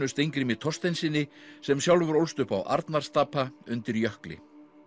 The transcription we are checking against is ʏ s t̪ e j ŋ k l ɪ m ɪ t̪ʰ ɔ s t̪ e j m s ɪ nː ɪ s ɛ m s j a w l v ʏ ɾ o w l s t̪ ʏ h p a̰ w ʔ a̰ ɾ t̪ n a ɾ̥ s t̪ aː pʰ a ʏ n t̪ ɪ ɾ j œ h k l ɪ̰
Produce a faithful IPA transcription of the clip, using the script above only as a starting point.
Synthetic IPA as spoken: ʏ s t̪ e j ŋ k ɾ ɪ m ɪ t̪ʰ ɔ s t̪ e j n s ɪ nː ɪ s ɛ m s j a w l v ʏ ɾ o w l s t̪ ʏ h p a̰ w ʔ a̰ ɾ t̪ n a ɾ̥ s t̪ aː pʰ a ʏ n t̪ ɪ ɾ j œ h k l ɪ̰